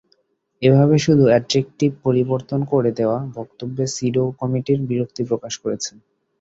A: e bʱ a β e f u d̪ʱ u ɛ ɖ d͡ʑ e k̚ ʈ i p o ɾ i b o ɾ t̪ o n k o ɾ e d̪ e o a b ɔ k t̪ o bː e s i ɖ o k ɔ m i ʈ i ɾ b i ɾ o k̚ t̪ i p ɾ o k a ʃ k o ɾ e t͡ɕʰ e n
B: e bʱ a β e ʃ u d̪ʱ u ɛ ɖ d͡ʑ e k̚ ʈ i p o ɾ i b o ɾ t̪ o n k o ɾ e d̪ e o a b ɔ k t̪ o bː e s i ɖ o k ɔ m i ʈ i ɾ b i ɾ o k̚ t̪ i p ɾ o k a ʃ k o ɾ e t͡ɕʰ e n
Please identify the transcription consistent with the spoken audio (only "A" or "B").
B